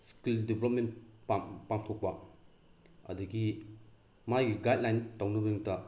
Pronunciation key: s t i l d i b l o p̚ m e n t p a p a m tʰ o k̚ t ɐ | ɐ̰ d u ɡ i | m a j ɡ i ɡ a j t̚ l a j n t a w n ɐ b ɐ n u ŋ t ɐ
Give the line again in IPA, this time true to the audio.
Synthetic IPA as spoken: s k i l d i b l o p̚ m e n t p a p a m tʰ o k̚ p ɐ | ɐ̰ d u ɡ i | m a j ɡ i ɡ a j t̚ l a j n t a w n ɐ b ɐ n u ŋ t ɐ